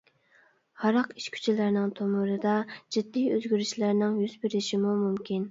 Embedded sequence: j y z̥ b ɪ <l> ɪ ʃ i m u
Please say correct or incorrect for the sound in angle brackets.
incorrect: ɾ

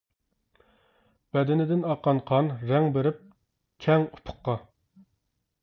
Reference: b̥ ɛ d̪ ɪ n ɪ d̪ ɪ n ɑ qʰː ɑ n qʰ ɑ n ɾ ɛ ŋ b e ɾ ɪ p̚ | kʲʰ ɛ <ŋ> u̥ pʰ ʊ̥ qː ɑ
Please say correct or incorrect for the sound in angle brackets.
correct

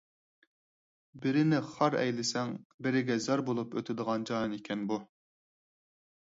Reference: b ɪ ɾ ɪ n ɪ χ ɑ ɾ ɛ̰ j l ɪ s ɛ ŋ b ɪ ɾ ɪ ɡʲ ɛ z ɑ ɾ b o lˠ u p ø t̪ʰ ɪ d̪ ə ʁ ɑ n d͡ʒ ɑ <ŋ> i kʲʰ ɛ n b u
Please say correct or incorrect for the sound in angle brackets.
incorrect: n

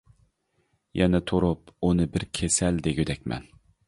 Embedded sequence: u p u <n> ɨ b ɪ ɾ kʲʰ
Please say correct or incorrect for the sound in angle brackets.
correct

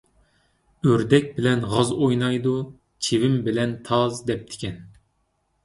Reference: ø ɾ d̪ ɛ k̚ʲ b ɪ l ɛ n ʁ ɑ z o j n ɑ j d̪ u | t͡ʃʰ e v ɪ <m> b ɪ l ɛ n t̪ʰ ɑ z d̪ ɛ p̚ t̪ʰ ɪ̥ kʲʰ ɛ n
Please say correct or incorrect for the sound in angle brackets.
correct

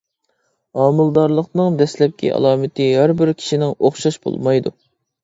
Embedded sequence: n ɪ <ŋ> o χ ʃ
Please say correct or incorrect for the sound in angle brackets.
correct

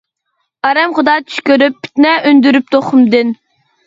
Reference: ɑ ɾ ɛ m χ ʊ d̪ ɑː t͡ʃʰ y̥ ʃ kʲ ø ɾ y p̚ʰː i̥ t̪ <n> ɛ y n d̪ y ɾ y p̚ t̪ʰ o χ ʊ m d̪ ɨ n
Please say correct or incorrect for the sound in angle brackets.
correct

